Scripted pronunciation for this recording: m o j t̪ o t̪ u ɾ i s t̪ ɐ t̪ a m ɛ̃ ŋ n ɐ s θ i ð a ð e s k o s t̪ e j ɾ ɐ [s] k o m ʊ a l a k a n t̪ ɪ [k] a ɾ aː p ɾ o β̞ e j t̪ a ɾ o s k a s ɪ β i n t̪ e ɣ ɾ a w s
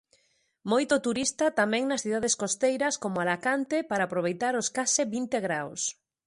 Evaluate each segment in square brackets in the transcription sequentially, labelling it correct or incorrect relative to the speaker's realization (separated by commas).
correct, incorrect